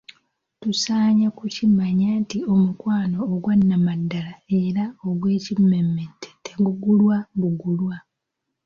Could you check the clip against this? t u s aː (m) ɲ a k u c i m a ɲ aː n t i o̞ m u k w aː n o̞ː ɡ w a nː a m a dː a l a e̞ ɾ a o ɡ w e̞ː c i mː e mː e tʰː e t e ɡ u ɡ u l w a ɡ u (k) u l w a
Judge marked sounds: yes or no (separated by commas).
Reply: no, no